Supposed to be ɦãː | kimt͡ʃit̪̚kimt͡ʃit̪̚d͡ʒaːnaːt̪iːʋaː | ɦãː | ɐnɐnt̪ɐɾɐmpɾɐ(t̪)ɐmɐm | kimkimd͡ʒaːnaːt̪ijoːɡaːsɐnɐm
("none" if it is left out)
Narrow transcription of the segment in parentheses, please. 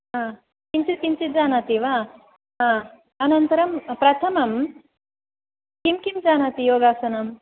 t̪ʰ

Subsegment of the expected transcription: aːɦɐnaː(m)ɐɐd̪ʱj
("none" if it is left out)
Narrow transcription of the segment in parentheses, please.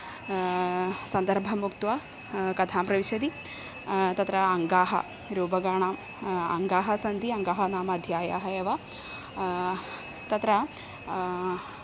m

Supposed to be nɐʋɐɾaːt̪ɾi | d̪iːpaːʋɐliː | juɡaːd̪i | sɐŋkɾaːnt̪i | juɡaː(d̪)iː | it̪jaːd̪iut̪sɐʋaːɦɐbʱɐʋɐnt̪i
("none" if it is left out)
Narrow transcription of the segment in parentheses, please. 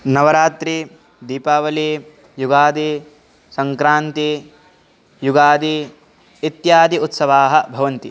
d̪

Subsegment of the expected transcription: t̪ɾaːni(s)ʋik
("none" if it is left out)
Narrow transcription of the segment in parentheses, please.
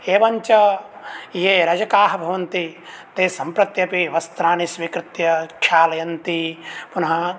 s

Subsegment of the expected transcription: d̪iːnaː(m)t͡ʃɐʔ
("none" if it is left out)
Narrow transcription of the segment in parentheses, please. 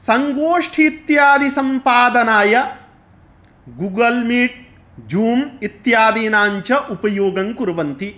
ɲ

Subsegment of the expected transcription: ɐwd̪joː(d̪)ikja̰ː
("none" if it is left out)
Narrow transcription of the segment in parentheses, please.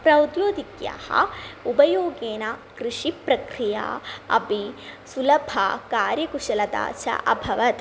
d̪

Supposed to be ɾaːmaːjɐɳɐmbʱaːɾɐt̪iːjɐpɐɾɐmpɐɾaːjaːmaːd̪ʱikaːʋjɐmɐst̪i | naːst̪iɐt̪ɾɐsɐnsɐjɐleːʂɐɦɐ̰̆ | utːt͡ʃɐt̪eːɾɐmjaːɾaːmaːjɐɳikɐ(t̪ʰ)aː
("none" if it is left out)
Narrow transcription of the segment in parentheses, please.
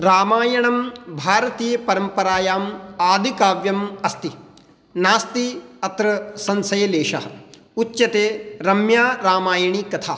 t̪ʰ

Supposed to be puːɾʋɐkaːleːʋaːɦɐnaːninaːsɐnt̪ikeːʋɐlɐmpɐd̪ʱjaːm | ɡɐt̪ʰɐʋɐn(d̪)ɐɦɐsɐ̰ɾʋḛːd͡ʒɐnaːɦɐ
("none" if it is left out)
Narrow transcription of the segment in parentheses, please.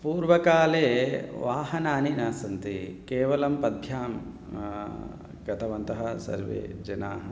t̪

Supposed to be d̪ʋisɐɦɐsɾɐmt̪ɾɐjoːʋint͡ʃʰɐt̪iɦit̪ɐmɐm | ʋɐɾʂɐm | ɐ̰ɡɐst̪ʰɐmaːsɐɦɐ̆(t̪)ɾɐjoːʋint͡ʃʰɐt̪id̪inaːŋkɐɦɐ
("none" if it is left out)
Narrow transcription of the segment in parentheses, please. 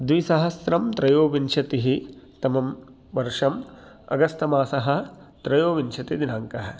t̪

